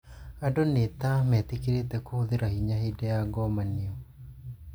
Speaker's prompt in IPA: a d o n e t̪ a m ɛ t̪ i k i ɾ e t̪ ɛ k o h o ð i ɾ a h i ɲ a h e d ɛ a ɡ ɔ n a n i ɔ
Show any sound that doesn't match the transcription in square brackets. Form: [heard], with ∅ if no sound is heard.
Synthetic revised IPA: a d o n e t̪ a m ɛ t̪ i k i ɾ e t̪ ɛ k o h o ð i ɾ a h i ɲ a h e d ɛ a ɡ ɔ [m] a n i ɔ